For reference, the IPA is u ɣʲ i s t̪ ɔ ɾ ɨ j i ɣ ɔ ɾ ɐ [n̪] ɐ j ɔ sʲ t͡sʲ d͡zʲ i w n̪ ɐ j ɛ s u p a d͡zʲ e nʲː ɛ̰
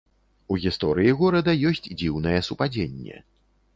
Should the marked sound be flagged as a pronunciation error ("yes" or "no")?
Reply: yes